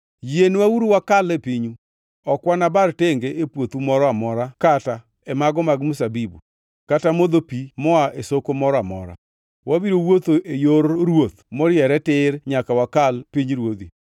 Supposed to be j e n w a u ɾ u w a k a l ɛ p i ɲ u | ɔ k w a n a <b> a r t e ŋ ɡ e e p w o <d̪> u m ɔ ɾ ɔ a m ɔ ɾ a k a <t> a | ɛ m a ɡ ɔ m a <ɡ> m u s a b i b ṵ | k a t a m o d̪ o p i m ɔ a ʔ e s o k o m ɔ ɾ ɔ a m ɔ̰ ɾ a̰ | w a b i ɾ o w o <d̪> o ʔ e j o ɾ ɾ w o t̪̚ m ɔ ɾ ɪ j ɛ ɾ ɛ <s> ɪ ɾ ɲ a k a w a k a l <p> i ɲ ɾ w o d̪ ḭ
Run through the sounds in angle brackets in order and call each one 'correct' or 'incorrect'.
correct, incorrect: t̪, correct, correct, incorrect: t̪, incorrect: t, correct

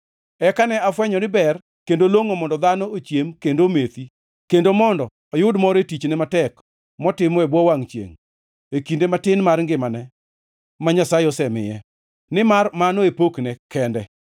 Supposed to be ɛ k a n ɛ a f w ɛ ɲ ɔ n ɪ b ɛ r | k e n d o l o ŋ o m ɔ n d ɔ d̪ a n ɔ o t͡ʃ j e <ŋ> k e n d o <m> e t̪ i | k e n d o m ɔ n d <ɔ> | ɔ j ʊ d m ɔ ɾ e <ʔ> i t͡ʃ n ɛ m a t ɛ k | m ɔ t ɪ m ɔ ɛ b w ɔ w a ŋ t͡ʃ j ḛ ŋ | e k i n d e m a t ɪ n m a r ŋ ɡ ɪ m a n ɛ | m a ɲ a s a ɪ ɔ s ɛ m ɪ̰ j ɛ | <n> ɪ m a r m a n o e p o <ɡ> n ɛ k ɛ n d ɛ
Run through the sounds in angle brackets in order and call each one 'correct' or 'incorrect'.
incorrect: m, correct, correct, incorrect: t, correct, incorrect: k

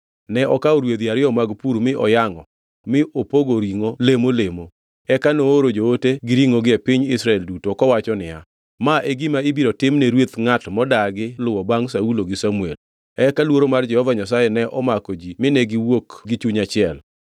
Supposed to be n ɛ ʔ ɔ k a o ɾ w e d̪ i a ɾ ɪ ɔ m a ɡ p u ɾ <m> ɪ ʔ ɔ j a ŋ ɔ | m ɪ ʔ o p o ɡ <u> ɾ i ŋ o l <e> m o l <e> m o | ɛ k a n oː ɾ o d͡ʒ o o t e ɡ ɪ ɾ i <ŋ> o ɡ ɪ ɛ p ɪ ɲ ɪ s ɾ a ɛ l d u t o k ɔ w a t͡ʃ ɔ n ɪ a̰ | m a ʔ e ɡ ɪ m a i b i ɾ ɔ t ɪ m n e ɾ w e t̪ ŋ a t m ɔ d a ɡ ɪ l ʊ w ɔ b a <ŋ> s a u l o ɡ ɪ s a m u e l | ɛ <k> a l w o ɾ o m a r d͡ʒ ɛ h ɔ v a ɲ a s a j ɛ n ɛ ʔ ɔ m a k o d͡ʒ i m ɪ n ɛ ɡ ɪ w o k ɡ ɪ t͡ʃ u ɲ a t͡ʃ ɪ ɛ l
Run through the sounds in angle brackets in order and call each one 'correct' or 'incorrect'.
correct, incorrect: o, correct, correct, correct, correct, correct

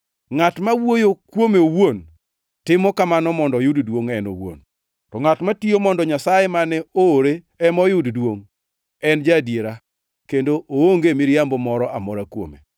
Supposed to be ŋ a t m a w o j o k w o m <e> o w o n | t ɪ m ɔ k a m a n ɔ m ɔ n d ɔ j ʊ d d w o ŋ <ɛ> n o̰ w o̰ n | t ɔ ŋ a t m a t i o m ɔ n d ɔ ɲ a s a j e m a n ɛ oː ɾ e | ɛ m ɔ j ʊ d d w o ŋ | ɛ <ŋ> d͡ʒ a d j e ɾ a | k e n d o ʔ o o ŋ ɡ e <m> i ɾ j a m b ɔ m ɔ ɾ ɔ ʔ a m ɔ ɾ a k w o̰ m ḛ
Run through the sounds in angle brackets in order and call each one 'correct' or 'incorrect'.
correct, correct, incorrect: n, correct

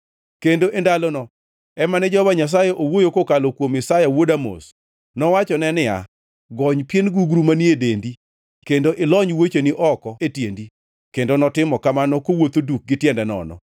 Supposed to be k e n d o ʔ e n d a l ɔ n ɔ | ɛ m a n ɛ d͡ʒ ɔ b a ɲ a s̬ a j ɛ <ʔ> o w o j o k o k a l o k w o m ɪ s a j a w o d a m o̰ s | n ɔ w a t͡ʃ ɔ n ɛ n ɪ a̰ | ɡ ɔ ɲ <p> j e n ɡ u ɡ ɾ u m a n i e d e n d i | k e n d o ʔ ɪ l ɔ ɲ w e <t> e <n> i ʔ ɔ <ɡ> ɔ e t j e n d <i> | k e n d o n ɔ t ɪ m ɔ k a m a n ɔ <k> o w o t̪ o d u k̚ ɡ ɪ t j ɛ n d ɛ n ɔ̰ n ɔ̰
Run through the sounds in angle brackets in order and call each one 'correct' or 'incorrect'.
correct, correct, incorrect: t͡ʃ, correct, incorrect: k, correct, correct

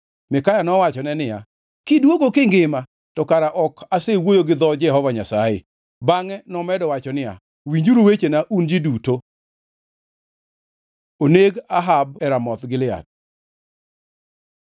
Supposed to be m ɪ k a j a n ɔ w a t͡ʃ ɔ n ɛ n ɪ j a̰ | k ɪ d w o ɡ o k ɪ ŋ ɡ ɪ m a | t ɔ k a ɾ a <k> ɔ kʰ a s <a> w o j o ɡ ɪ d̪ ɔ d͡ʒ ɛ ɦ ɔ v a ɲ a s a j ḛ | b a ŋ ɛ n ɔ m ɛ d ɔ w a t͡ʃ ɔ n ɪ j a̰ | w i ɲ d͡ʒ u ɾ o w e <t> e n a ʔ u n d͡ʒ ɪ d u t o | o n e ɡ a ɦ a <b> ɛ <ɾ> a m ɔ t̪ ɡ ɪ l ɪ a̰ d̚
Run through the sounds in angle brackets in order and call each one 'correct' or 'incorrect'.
incorrect: ʔ, incorrect: e, incorrect: t͡ʃ, correct, correct

